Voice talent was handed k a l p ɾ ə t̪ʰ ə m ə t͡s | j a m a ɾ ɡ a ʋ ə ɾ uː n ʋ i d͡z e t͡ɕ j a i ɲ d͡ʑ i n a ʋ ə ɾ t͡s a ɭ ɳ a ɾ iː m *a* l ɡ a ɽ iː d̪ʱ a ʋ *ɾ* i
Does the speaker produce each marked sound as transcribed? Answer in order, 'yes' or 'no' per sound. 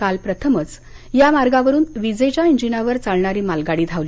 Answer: yes, no

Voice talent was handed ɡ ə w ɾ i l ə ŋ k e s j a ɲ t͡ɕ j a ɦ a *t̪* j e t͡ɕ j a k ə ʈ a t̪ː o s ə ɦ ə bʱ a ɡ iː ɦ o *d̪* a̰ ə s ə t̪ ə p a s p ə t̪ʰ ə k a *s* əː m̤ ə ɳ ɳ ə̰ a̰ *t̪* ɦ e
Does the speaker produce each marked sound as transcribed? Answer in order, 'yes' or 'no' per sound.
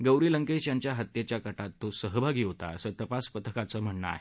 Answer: yes, no, no, no

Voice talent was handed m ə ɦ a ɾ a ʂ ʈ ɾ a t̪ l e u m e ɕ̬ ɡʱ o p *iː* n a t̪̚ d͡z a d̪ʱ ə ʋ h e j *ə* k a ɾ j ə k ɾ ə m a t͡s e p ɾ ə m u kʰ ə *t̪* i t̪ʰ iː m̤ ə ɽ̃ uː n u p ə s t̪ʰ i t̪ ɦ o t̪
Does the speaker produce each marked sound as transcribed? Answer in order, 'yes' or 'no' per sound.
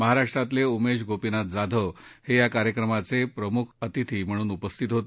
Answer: no, no, yes

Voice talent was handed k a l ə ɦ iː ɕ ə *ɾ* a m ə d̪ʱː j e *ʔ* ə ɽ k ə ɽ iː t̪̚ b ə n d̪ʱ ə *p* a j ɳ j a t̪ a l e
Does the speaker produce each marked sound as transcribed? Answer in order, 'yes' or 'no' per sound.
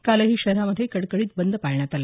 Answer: yes, no, yes

